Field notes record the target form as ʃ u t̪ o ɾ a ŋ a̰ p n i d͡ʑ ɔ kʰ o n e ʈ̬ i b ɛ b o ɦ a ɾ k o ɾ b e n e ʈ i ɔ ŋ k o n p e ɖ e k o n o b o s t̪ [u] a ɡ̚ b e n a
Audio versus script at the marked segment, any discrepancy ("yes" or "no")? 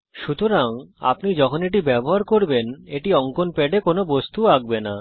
no